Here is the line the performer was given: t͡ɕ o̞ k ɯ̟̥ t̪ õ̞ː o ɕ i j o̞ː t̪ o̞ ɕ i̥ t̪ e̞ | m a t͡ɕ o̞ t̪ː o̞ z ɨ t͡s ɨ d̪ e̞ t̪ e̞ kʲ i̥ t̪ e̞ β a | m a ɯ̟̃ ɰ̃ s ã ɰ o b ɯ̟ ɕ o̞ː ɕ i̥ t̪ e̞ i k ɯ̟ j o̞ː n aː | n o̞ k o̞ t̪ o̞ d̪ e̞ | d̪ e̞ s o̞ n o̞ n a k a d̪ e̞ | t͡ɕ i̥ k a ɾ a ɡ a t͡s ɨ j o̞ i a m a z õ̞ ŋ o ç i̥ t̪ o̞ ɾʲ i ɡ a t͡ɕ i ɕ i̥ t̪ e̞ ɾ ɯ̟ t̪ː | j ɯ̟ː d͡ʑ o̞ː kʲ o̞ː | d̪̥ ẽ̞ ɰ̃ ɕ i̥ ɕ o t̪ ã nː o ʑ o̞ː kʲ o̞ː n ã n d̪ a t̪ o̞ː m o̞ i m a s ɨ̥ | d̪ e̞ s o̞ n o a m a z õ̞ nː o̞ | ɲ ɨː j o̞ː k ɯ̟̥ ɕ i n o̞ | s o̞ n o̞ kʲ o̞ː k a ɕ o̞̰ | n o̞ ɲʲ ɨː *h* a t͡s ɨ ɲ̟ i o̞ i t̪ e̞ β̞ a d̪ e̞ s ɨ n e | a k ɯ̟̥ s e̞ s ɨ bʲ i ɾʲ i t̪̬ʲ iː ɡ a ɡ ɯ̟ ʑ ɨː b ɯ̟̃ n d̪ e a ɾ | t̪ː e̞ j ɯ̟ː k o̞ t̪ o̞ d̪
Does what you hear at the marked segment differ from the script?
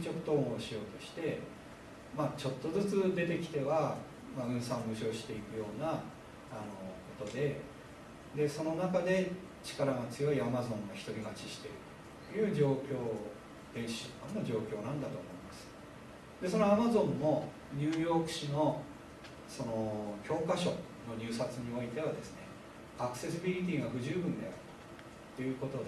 yes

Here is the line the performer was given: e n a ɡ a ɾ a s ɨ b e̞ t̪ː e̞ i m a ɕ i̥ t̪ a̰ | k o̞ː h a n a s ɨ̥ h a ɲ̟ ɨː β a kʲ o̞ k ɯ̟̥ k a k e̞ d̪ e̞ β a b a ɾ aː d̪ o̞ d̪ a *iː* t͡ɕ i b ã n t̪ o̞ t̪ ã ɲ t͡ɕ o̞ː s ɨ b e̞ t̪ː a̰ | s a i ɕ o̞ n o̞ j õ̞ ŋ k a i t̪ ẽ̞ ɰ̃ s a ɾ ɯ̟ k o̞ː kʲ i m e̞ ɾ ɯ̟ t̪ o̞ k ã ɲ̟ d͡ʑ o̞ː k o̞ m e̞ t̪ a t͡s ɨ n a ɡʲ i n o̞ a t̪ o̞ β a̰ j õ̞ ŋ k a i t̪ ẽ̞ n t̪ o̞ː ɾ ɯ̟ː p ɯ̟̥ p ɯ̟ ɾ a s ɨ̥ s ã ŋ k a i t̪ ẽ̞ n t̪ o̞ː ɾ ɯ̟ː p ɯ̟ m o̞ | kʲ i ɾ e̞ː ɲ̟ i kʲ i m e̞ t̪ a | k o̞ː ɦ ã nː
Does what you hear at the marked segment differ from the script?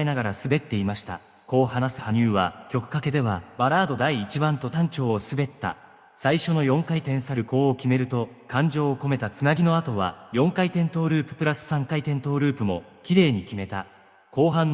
no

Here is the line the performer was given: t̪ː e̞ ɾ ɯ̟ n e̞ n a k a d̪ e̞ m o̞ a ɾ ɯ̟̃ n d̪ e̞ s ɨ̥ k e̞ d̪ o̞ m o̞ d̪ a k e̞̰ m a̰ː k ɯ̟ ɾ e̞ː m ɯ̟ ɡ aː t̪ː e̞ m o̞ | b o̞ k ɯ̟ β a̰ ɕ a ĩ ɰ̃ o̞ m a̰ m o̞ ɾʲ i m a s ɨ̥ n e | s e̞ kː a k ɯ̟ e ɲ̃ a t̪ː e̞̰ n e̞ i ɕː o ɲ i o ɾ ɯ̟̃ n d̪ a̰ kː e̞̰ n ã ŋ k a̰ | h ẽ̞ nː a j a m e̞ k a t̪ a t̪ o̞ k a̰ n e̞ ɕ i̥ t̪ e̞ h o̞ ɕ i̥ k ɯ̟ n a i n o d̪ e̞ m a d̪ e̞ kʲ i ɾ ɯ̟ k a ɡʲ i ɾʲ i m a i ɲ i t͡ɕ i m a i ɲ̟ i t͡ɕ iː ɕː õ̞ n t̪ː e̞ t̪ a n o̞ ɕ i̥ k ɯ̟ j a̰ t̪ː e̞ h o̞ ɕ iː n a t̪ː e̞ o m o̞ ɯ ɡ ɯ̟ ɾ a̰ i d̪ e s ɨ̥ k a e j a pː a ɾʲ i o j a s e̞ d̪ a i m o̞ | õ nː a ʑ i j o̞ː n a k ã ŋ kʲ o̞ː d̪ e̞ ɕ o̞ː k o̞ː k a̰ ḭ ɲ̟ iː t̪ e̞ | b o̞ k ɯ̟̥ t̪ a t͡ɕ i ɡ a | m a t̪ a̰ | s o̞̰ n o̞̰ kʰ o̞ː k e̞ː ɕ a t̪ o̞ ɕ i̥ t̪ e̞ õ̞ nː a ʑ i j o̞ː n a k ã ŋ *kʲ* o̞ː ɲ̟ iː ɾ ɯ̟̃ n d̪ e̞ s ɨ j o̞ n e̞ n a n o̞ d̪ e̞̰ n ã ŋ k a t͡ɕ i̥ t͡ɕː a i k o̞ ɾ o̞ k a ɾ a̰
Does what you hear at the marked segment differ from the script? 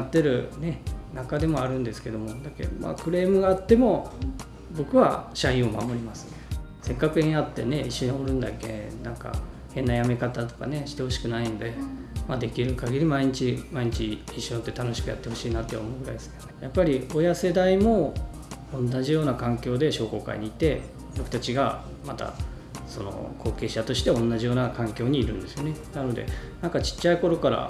no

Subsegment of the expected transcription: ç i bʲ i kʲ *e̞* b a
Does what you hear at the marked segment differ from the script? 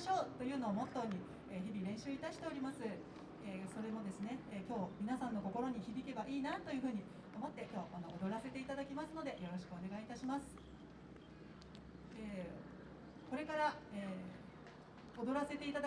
no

